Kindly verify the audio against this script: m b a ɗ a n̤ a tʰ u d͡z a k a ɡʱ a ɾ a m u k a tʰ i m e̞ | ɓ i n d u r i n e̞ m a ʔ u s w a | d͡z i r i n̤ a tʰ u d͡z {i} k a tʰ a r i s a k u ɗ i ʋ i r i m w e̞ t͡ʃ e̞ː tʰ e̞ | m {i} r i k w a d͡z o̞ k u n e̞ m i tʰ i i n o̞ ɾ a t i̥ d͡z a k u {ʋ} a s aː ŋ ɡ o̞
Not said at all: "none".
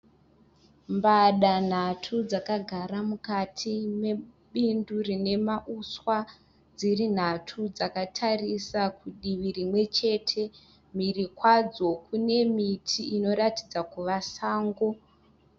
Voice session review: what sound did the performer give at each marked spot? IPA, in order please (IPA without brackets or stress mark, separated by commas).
a, i, ʋ